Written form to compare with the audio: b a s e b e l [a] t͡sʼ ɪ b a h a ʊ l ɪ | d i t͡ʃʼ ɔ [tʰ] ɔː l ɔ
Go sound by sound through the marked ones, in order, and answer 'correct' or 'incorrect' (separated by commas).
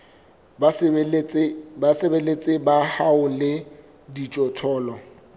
incorrect, correct